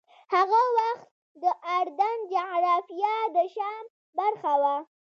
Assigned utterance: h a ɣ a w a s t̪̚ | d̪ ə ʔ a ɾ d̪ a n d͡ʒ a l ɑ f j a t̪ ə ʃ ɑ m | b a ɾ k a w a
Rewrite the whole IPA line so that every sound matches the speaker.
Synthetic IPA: h a ɣ a w a x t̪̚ | d̪ ə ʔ a ɾ d̪ a n d͡ʒ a ɾ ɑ f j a d̪ ə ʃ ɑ m | b a ɾ x a w a